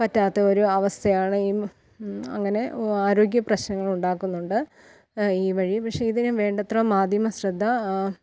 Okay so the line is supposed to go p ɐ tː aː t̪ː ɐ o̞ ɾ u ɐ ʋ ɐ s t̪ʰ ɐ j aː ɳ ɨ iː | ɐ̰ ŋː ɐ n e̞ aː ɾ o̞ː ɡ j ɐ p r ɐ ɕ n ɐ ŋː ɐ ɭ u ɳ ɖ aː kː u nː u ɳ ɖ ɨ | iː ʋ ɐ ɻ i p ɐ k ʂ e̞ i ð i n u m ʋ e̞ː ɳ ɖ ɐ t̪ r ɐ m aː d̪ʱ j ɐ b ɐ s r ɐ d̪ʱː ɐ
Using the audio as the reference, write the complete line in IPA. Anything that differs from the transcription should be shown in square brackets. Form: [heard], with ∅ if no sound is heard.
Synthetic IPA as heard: p ɐ tː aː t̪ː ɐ o̞ ɾ u ɐ ʋ ɐ s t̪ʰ ɐ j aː ɳ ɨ iː | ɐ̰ ŋː ɐ n e̞ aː ɾ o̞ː ɡ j ɐ p r ɐ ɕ n ɐ ŋː ɐ ɭ u ɳ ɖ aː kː u nː u ɳ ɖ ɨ | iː ʋ ɐ ɻ i p ɐ k ʂ e̞ i ð i n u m ʋ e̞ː ɳ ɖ ɐ t̪ r ɐ m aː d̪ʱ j ɐ [m] ɐ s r ɐ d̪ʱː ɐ